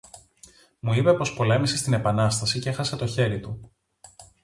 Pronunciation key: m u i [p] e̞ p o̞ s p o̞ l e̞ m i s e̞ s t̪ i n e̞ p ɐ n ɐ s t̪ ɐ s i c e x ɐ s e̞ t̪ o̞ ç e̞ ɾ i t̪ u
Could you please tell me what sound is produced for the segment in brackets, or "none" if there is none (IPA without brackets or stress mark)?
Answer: p